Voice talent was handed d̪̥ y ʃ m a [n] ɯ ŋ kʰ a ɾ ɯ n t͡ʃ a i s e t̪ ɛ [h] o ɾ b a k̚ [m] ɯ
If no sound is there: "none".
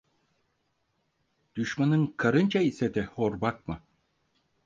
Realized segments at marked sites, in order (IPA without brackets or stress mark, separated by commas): n, h, m